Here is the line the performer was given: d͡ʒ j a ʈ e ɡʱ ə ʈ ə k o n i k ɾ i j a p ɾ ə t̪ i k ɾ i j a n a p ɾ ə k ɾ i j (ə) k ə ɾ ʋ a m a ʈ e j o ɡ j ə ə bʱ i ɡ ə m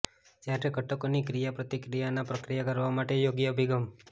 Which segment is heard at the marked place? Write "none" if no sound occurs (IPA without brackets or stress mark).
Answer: a